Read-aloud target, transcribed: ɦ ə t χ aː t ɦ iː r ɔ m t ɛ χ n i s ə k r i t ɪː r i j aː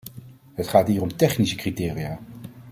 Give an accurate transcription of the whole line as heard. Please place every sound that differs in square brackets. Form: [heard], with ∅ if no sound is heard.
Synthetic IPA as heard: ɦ ə t χ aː t ɦ iː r ɔ m t ɛ χ n i s ə k r i t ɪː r i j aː